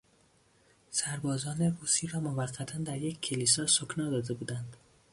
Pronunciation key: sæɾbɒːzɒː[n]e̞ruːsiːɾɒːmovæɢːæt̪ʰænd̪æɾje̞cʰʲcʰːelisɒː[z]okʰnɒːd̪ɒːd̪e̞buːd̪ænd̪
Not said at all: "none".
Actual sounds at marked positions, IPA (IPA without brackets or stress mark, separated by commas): n, s